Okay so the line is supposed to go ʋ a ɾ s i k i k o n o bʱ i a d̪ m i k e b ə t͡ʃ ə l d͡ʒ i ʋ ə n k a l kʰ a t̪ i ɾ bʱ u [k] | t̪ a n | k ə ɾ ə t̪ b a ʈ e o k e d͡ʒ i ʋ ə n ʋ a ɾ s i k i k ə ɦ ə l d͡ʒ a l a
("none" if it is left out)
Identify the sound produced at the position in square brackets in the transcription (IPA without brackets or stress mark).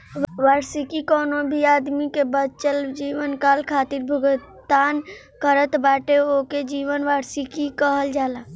ɡ